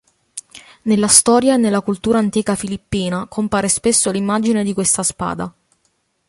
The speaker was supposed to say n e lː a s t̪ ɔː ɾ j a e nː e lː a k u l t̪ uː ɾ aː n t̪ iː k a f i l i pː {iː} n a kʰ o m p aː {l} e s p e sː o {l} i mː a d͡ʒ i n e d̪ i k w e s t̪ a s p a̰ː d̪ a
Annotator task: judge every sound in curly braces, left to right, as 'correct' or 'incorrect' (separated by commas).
correct, incorrect, correct